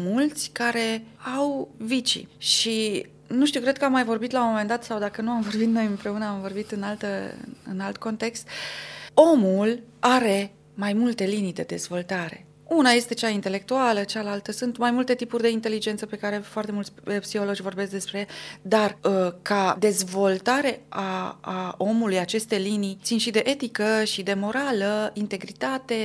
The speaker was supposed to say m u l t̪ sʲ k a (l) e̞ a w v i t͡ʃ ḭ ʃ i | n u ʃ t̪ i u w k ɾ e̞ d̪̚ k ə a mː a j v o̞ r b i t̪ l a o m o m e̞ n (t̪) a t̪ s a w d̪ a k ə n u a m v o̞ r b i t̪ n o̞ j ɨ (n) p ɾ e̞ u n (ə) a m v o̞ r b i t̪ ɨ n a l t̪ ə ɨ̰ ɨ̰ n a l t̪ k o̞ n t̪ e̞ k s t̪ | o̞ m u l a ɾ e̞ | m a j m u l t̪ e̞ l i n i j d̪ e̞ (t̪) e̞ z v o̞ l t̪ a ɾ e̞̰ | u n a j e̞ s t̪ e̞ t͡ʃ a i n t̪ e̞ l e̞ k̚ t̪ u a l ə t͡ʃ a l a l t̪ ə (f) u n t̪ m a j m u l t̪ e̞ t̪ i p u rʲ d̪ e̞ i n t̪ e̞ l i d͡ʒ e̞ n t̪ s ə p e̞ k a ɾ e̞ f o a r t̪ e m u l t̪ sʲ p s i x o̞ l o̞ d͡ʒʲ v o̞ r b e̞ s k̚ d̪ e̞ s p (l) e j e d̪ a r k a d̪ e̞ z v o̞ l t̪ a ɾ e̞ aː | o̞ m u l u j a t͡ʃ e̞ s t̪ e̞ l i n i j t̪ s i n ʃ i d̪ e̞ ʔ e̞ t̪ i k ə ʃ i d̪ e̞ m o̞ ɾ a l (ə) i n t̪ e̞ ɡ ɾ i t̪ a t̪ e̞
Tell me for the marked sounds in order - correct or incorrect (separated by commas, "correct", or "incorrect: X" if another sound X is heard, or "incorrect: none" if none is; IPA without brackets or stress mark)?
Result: incorrect: ɾ, incorrect: d̪, incorrect: m, correct, incorrect: d̪, incorrect: s, incorrect: ɾ, correct